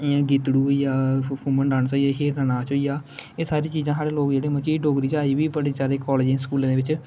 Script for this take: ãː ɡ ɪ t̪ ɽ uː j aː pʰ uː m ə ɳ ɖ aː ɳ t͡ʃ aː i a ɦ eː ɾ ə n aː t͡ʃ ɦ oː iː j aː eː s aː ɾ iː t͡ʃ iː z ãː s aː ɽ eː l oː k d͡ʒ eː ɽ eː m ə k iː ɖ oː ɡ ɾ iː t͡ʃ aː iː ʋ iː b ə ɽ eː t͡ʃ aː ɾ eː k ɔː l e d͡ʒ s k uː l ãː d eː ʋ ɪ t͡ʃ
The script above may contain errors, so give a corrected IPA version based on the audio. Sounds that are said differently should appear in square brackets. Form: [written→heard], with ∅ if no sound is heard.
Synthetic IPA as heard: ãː ɡ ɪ t̪ ɽ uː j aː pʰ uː m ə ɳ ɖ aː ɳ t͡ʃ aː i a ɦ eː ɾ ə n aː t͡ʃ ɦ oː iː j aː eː s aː ɾ iː t͡ʃ iː z ãː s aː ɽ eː l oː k d͡ʒ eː ɽ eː m ə k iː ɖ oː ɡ ɾ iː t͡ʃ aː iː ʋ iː b ə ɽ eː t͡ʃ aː ɾ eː k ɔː l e d͡ʒ s k uː l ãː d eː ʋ ɪ t͡ʃ